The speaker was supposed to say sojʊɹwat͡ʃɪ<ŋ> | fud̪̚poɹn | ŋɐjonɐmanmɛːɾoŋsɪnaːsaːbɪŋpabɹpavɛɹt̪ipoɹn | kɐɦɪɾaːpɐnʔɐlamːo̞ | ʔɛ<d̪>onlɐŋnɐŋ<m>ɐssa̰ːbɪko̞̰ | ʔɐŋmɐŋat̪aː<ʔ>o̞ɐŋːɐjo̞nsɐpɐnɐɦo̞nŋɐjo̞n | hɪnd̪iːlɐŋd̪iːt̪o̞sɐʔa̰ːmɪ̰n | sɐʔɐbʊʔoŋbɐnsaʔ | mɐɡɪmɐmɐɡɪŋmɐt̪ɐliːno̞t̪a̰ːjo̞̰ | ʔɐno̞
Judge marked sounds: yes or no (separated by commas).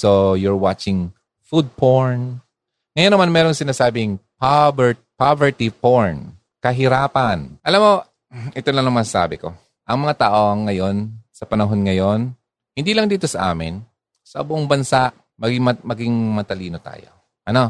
yes, no, yes, yes